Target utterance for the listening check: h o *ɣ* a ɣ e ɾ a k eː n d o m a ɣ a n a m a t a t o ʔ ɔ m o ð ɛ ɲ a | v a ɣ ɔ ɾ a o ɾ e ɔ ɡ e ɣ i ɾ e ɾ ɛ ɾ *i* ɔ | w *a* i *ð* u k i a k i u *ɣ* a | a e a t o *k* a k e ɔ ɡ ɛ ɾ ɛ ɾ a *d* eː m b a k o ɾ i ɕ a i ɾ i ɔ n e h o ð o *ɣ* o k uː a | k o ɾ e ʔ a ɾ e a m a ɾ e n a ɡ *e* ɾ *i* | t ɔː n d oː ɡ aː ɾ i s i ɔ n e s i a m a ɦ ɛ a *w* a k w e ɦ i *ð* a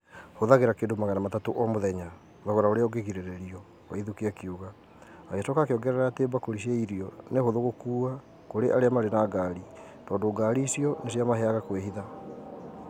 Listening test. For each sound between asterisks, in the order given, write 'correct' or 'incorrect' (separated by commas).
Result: incorrect, correct, correct, correct, correct, correct, incorrect, correct, incorrect, correct, incorrect, correct